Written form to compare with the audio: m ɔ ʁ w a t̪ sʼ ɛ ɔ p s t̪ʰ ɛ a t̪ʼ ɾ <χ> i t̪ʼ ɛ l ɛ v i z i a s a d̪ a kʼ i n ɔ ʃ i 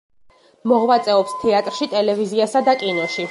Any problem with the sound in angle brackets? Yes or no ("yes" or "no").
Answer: yes